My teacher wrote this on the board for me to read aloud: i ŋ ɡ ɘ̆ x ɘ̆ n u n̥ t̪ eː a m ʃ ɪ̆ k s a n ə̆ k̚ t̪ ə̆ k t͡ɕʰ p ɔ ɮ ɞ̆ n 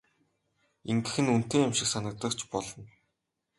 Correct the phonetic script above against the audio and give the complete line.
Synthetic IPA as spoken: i ŋ ɡ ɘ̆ x ɘ̆ n u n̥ t̪ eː a m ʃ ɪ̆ k s a n ə̆ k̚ t̪ ə̆ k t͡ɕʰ p ɔ ɮ ɞ̆ n

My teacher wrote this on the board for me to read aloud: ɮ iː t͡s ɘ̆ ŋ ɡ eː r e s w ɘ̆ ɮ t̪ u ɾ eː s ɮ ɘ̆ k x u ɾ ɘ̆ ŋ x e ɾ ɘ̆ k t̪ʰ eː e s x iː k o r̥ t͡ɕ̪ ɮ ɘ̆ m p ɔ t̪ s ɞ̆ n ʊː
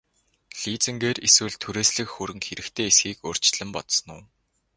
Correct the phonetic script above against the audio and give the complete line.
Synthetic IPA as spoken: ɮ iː t͡s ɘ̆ ŋ ɡ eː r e s w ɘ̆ ɮ t̪ʰ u ɾ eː s ɮ ɘ̆ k x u ɾ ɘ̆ ŋ x e ɾ ɘ̆ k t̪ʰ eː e s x iː k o r̥ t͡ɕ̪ ɮ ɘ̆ m p ɔ t̪ s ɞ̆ n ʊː

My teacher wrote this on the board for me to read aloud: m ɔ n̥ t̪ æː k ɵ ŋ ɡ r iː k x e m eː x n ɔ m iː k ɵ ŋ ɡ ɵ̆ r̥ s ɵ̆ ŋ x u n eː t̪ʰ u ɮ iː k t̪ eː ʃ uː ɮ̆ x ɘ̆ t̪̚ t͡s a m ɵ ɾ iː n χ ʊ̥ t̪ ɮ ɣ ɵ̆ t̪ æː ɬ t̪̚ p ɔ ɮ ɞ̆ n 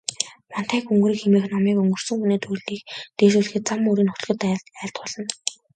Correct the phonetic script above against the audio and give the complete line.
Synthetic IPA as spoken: m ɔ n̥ t̪ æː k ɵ ŋ ɡ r iː k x e m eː x n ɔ m iː k ɵ ŋ ɡ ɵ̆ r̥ s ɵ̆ ŋ x u n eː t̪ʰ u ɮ iː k t̪ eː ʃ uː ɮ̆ x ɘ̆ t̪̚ t͡s a m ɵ ɾ iː n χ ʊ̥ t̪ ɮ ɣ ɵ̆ t̪ æː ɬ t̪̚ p ɔ ɮ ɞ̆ n

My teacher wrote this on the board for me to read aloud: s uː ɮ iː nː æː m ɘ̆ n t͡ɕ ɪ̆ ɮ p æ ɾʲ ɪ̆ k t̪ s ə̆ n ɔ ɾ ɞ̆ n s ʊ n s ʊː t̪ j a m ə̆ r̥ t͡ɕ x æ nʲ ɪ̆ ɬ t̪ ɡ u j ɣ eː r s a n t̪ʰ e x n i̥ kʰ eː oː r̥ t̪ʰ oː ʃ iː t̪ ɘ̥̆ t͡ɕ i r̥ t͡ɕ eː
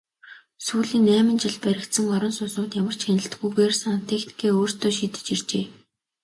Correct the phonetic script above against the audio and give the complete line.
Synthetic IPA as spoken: s uː ɮ iː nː æː m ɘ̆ n t͡ɕ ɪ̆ ɮ p æ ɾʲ ɪ̆ k t̪ s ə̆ ŋ ɔ ɾ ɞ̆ n s ʊ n s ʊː t̪ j a m ə̆ r̥ t͡ɕ x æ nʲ ɪ̆ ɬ t̪ ɡ u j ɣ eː r s a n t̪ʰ e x n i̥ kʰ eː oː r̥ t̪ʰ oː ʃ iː t̪ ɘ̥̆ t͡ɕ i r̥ t͡ɕ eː

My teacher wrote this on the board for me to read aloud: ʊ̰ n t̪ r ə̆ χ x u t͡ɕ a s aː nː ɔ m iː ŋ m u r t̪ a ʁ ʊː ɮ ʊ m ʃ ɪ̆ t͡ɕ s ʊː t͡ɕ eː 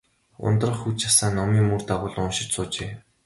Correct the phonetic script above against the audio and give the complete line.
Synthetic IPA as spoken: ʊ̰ n t̪ r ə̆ χ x u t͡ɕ a s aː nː ɔ m iː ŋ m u r t̪ a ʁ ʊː ɮ ʊ n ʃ ɪ̆ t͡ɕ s ʊː t͡ɕ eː

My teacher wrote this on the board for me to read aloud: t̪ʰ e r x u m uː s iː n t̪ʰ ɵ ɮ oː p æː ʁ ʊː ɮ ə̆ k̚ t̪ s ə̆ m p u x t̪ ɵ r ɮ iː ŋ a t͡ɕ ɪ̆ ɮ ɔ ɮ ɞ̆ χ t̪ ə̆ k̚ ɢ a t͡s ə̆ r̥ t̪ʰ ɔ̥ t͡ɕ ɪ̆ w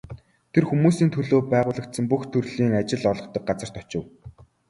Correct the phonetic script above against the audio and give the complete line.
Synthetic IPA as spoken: t̪ʰ e r x u m uː s iː n t̪ʰ ɵ ɮ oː p æː ʁ ʊː ɮ ə̆ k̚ t̪ s ə̆ m p u x t̪ʰ ɵ r ɮ iː ŋ a t͡ɕ ɪ̆ ɮ ɔ ɮ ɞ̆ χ t̪ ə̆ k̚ ɢ a t͡s ə̆ r̥ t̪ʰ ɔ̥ t͡ɕ ɪ̆ w

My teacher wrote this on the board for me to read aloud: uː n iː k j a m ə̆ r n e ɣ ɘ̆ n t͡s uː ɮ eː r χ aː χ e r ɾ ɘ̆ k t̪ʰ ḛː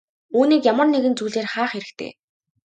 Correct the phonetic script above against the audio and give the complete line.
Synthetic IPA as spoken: uː n iː k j a m ə̆ r n e ɣ ɘ̆ n t͡s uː ɮ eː r χ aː χ e ɾ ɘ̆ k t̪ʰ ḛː

